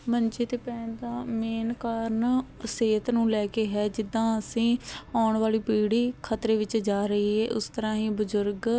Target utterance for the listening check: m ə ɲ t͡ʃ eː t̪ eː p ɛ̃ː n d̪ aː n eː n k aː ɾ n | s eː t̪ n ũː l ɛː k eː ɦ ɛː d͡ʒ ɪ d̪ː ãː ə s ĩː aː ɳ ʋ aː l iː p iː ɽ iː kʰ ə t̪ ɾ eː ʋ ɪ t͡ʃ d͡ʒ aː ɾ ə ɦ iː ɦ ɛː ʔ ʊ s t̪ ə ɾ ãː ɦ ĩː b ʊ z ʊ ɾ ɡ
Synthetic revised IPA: m ə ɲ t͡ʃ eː t̪ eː p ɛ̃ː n d̪ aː m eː n k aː ɾ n | s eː t̪ n ũː l ɛː k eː ɦ ɛː d͡ʒ ɪ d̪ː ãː ə s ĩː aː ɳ ʋ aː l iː p iː ɽ iː kʰ ə t̪ ɾ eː ʋ ɪ t͡ʃ d͡ʒ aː ɾ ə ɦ iː ɦ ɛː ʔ ʊ s t̪ ə ɾ ãː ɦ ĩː b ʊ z ʊ ɾ ɡ